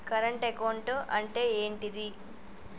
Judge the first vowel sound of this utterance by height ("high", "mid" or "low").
low